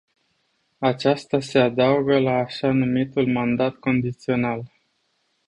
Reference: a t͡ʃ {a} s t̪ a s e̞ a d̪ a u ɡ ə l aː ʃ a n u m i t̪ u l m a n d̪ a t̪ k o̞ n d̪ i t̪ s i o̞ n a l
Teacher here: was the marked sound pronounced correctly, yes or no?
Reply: yes